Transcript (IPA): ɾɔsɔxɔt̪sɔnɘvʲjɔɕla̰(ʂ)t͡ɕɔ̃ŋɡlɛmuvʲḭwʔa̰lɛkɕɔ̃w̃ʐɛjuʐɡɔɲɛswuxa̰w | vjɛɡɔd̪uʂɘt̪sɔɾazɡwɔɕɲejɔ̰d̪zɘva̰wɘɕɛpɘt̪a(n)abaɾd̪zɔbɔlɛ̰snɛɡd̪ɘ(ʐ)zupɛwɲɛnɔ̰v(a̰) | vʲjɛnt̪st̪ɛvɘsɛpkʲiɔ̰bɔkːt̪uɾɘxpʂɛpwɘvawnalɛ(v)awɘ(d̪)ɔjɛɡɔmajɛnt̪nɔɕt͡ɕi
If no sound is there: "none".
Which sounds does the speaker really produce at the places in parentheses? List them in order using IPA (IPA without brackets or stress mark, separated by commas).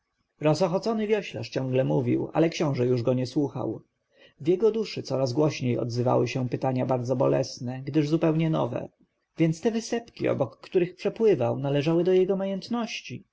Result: ʂ, ɲ, ʐ, ɛ̰, ʐ, d̪